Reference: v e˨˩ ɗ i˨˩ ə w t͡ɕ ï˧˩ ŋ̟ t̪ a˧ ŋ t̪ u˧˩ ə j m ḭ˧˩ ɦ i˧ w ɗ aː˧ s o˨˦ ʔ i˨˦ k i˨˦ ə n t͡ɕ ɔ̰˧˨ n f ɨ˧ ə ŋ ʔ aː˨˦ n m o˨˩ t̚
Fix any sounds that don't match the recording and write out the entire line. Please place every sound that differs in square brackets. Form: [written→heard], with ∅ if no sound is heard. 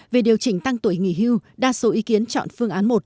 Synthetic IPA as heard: v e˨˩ ɗ i˨˩ ə w t͡ɕ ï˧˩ ŋ̟ t̪ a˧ ŋ t̪ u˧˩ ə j [m→ŋ] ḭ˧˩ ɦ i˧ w ɗ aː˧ s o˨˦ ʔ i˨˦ k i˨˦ ə n t͡ɕ ɔ̰˧˨ n f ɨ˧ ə ŋ ʔ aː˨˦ n m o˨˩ t̚